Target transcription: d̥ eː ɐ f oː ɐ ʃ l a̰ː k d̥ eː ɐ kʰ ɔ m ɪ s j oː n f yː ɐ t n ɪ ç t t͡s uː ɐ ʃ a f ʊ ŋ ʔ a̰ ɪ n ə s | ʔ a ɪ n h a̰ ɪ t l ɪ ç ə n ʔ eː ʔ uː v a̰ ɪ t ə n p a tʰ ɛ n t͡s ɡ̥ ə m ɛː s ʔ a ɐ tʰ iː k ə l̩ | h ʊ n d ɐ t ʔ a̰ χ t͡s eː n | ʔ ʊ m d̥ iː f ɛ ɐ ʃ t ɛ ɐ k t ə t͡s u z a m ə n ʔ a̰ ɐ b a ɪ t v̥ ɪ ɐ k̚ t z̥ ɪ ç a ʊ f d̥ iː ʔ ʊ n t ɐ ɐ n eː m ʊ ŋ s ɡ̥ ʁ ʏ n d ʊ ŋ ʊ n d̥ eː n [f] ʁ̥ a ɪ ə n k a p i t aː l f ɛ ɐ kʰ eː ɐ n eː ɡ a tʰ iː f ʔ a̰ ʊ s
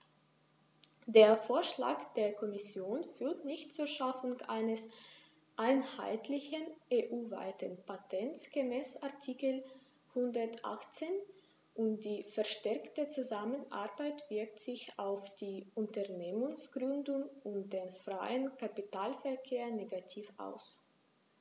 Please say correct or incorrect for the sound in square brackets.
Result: correct